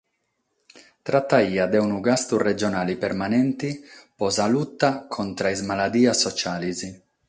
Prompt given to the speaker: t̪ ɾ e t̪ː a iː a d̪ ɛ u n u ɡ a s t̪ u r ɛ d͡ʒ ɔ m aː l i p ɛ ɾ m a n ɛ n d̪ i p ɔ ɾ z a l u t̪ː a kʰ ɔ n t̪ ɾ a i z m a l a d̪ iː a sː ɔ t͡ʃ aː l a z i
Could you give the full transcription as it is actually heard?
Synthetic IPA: t̪ ɾ a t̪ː a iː a d̪ ɛ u n u ɡ a s t̪ u r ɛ d͡ʒ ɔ n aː l i p ɛ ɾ m a n ɛ n t̪ i p ɔ z a l u t̪ː a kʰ ɔ n t̪ ɾ a i z m a l a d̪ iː a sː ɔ t͡ʃ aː l i z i

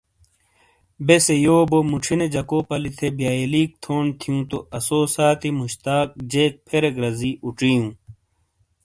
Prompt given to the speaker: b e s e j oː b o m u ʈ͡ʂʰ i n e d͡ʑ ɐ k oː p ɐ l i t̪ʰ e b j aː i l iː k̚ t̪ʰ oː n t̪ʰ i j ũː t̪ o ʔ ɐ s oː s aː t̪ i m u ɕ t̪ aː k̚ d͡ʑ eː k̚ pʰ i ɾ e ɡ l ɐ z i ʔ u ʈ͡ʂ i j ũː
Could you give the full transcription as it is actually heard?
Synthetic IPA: b e s e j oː b o m u ʈ͡ʂʰ i n e d͡ʑ ɐ k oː p ɐ l i t̪ʰ e b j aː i l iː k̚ t̪ʰ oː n t̪ʰ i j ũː t̪ o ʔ ɐ s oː s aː t̪ i m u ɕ t̪ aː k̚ d͡ʑ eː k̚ pʰ e ɾ e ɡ ɾ ɐ z i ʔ u ʈ͡ʂ i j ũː

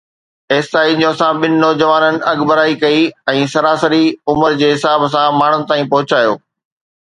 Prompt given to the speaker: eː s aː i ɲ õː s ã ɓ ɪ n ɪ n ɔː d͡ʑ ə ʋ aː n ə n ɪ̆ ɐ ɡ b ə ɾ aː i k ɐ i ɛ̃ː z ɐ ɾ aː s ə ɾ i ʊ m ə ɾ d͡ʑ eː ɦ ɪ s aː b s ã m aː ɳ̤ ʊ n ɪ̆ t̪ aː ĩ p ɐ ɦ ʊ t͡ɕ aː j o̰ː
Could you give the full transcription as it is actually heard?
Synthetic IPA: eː s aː i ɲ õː s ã ɓ ɪ n ɪ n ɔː d͡ʑ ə ʋ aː n ə n ɪ̆ ɐ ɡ b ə ɾ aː i k ɐ i ɛ̃ː s ɐ ɾ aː s ə ɾ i ʊ m ə ɾ d͡ʑ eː ɦ ɪ s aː b s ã m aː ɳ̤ ʊ n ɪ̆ t̪ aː ĩ p ɐ ɦ ʊ t͡ɕ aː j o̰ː

